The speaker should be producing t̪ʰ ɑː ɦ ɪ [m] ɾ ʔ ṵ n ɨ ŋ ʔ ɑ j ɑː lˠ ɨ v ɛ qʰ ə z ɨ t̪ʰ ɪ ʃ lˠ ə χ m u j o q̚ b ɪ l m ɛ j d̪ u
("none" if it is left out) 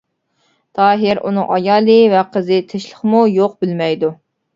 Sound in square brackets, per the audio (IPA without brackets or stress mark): none